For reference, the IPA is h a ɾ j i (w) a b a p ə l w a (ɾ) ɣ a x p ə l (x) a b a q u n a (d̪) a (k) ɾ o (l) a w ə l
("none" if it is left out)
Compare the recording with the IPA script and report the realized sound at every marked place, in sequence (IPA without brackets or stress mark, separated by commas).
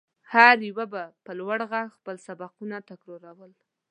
w, ɽ, s, t̪, k, ɾ